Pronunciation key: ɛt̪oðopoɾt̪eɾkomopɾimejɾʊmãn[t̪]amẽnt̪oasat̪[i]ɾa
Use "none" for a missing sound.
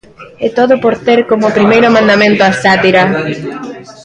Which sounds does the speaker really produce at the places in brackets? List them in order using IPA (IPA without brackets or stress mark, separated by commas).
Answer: d̪, i